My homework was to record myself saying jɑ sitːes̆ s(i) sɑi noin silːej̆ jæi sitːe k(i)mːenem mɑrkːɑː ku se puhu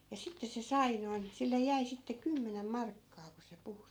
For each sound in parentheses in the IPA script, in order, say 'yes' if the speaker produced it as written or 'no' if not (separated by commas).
no, no